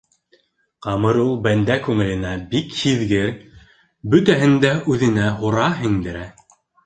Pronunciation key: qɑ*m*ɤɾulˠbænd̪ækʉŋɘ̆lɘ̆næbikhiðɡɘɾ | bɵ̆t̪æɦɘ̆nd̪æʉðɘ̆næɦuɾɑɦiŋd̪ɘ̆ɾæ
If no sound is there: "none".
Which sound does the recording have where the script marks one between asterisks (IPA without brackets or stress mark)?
m